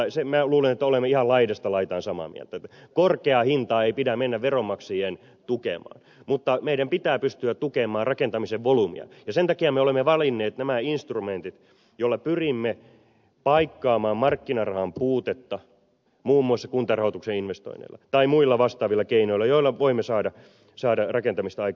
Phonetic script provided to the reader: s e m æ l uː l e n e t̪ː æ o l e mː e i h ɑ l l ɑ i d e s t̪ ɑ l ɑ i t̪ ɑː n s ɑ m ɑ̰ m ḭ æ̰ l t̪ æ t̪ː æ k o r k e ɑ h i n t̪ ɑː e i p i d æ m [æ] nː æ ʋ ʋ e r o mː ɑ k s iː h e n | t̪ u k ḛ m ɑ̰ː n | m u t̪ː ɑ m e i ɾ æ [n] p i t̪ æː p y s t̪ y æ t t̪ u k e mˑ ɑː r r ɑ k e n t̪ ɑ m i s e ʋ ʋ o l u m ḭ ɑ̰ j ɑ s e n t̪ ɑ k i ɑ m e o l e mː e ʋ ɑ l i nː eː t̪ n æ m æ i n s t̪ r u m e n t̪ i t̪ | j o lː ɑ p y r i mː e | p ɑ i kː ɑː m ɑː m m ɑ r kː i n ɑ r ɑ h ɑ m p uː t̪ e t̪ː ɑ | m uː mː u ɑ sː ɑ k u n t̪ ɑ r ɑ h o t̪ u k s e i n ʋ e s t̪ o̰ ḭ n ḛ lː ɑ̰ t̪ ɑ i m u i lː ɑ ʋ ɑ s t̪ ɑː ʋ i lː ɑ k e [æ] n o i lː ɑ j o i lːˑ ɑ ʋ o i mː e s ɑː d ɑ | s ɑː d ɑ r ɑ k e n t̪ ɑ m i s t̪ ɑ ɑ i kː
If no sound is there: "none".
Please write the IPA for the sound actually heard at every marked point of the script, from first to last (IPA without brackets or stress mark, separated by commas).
e, m, i